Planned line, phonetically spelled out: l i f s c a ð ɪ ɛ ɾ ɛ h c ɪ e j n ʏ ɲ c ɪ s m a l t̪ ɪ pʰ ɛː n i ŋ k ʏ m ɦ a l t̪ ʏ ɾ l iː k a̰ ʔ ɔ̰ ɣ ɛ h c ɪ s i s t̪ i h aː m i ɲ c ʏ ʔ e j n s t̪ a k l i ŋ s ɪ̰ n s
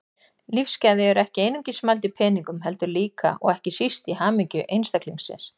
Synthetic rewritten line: l i f s c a ð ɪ ɛ ɾ ɛ h c ɪ e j n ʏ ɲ c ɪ s m a l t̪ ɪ pʰ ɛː n i ŋ k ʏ m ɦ ɛ l t̪ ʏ ɾ l iː k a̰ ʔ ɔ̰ ɣ ɛ h c ɪ s i s t̪ i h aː m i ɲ c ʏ ʔ e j n s t̪ a k l i ŋ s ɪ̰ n s